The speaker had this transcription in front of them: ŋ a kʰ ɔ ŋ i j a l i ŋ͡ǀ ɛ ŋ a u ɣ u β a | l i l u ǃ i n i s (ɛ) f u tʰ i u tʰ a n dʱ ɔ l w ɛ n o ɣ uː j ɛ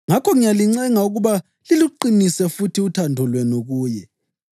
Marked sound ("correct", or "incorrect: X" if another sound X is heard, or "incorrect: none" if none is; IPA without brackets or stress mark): correct